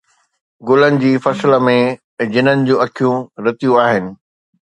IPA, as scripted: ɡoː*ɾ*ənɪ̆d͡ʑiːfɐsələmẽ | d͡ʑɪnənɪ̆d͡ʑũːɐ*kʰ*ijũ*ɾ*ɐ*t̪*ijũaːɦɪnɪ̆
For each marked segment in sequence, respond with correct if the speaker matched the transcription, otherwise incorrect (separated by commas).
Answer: incorrect, correct, correct, correct